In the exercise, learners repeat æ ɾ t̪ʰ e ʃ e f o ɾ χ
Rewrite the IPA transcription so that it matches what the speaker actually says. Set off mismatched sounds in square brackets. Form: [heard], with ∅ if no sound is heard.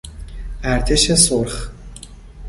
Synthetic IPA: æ ɾ t̪ʰ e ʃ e [s] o ɾ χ